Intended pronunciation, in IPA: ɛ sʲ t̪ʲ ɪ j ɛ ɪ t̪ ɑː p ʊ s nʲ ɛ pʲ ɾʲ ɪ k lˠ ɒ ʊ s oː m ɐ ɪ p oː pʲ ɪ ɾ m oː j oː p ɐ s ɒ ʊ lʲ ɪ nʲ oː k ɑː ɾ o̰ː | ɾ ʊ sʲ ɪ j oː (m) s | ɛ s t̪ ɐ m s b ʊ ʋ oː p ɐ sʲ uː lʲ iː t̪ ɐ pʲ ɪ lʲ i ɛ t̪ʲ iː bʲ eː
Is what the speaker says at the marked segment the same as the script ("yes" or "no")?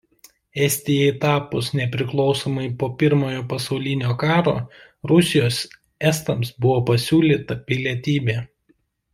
no